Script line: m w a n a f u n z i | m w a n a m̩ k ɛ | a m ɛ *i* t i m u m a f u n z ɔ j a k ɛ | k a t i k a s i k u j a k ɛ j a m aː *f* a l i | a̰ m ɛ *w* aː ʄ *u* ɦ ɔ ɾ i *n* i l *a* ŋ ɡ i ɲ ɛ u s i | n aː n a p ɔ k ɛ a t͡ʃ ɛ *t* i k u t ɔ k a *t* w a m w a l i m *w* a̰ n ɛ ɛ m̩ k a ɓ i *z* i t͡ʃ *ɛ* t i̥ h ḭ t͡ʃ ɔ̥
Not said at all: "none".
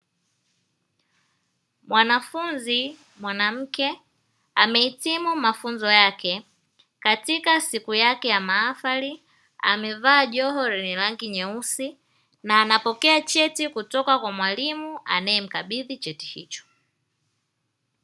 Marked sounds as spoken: i, f, v, ɔ, n, a, t, k, u, ð, ɛ

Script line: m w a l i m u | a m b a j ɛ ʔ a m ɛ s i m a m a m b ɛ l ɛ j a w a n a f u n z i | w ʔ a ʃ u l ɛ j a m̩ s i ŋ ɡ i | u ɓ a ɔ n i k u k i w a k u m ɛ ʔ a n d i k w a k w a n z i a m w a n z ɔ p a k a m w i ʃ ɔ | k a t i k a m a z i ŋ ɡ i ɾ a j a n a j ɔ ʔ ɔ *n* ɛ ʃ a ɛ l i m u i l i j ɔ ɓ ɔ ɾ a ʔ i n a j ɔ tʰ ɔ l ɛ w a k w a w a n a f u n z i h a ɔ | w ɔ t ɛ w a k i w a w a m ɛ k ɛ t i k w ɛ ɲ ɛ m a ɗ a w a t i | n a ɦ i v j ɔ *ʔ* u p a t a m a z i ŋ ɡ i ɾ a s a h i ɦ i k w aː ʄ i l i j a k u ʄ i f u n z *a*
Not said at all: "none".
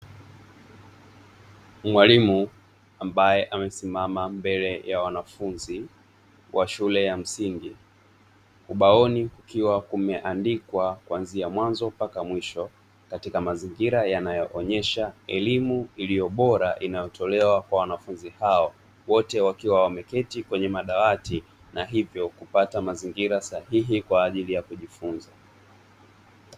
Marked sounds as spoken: ɲ, k, a

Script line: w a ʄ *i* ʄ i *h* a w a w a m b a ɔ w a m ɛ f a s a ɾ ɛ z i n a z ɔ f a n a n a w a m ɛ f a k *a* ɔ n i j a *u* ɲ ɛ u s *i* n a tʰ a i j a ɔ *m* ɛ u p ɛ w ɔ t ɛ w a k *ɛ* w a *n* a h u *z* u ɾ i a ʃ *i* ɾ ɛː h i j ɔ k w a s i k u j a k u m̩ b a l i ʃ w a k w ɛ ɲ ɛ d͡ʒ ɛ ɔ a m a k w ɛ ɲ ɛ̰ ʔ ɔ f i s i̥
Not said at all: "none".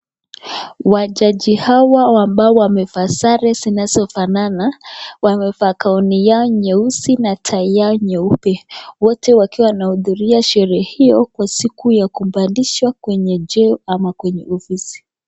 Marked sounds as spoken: a, h, a, ɔ, i, ɲ, i, n, ð, ɛ

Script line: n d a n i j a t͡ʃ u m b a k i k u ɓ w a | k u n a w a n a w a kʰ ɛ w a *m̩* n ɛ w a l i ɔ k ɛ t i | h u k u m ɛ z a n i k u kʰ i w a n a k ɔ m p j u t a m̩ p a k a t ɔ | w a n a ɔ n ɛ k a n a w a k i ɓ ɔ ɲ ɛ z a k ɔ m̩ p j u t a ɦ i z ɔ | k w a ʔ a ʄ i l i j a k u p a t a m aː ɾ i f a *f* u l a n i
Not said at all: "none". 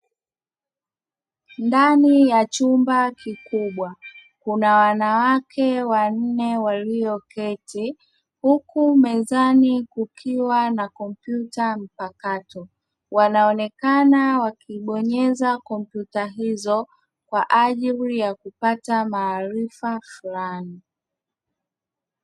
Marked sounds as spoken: n̩, f

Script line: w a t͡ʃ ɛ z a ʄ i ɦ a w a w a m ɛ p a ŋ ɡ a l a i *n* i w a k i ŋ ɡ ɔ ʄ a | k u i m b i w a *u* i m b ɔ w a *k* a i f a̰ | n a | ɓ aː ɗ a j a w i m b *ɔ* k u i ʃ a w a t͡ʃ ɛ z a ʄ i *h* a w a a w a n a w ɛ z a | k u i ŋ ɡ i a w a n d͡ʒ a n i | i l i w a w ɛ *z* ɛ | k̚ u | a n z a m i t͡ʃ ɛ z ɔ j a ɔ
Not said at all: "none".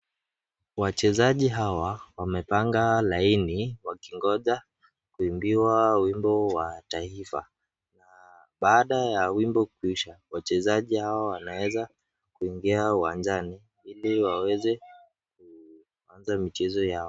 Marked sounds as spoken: n, w, t, ɔ, h, z

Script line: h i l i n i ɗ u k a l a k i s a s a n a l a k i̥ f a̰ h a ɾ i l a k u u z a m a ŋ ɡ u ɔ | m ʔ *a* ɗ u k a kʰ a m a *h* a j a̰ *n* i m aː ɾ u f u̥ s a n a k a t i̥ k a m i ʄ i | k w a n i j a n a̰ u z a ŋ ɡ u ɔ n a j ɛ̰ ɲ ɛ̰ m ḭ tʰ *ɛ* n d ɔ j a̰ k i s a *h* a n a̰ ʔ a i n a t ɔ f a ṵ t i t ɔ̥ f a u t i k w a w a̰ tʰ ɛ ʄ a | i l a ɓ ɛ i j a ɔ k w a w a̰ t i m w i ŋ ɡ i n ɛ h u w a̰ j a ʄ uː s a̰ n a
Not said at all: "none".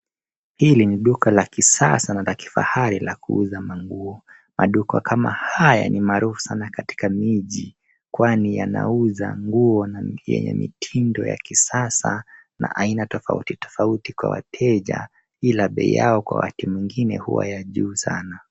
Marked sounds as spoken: a, h, n, i, s

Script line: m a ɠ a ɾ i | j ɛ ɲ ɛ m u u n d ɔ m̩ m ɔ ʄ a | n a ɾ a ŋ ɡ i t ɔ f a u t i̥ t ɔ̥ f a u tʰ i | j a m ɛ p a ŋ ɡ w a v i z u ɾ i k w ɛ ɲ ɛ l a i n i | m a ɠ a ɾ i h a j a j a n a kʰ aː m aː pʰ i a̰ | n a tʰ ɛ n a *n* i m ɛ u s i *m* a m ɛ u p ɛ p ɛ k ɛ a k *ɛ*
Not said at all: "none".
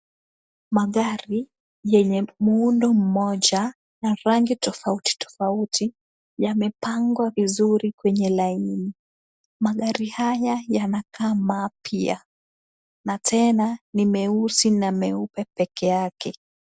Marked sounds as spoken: n, n, ɛ

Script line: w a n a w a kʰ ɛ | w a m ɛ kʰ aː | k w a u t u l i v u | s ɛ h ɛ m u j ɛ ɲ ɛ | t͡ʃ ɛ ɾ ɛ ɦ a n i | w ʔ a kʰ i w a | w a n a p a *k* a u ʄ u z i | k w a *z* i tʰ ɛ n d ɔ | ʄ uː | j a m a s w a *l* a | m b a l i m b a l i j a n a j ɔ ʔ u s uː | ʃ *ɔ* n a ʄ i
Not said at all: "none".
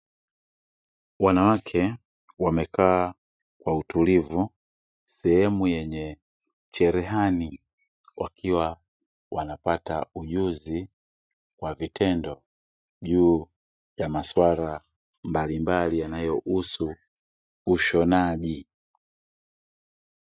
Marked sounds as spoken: t, v, ɾ, ɔ

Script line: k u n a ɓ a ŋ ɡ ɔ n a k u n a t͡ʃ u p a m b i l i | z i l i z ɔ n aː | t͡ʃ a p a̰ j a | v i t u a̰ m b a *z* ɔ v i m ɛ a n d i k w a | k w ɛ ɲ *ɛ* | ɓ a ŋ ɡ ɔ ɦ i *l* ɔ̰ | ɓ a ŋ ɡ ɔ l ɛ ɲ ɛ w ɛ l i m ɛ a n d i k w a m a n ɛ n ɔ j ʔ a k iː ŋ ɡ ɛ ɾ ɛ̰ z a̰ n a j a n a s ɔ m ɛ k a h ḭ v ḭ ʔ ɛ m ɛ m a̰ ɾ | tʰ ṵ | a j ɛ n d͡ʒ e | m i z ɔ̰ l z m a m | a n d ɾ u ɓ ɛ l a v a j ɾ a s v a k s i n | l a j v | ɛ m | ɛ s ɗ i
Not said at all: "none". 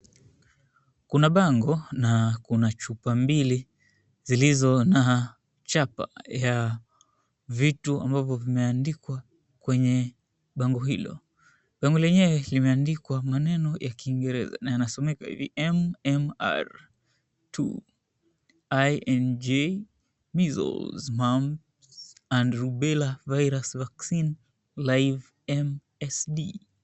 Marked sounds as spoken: v, ɛ, l

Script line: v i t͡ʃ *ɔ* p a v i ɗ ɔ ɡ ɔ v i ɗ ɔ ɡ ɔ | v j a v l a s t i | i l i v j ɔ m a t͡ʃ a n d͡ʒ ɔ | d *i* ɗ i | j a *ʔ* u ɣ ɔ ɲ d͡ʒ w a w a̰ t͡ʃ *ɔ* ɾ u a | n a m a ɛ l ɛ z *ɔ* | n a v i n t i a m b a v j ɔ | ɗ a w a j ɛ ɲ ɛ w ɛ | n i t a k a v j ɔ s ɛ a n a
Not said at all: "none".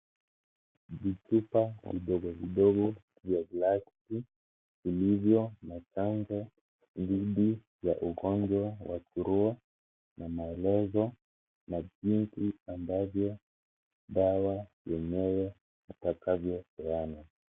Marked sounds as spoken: u, i, ʔ, u, ɔ

